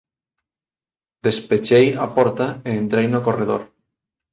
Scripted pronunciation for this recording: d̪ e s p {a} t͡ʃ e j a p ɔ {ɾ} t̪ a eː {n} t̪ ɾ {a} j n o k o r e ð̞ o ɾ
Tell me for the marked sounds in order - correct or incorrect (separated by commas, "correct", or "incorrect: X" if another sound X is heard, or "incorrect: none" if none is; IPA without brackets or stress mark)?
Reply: incorrect: e, correct, correct, incorrect: e